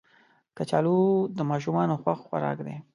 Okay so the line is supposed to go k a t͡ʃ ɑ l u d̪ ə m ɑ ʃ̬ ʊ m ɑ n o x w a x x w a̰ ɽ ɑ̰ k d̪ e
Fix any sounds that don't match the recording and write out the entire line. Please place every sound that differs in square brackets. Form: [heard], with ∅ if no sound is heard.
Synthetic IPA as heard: k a t͡ʃ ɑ l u d̪ ə m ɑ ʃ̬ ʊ m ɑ n o x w a x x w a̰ [ɾ] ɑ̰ k d̪ e